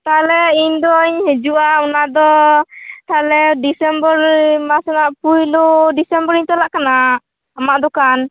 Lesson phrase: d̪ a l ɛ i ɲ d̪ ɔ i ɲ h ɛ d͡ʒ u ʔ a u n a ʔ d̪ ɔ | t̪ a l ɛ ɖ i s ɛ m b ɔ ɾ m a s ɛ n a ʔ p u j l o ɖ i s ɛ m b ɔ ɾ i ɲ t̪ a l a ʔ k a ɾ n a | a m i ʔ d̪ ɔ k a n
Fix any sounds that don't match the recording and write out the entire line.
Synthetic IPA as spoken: t̪ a l ɛ i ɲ d̪ ɔ i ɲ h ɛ d͡ʒ u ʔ a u n a d̪ ɔ | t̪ a l ɛ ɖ i s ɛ m b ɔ ɾ m a s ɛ n a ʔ p u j l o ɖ i s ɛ m b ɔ ɾ i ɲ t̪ a l a ʔ k a n a | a m a ʔ d̪ ɔ k a n